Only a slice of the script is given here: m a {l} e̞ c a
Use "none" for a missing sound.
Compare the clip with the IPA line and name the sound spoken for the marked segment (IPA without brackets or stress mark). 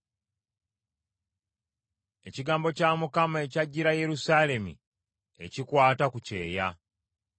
none